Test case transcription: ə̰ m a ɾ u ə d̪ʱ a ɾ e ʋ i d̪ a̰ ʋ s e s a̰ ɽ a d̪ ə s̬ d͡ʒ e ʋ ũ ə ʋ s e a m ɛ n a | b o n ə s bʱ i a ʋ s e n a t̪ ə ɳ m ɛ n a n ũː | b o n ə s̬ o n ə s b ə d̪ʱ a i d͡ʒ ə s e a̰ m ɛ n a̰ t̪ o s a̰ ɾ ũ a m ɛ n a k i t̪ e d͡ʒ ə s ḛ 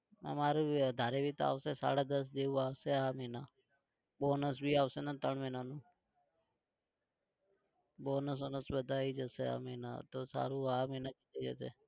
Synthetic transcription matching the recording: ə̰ m a ɾ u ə d̪ʱ a ɾ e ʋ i t̪ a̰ ʋ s e s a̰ ɽ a d̪ ə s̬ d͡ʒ e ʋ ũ a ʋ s e a m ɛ n a | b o n ə s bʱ i a ʋ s e n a t̪ ə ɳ m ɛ n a n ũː | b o n ə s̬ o n ə s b ə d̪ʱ a i d͡ʒ ə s e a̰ m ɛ n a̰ t̪ o s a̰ ɾ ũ a m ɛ n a k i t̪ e d͡ʒ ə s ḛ